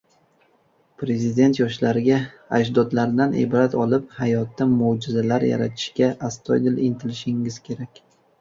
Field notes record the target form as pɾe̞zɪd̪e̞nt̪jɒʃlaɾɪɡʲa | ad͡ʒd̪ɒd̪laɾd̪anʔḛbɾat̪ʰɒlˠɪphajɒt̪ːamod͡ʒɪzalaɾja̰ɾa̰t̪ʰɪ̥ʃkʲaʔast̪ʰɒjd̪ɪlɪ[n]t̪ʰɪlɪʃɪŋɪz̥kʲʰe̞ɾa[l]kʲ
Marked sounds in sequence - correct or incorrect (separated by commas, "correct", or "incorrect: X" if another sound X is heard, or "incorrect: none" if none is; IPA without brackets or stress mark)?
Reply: correct, incorrect: none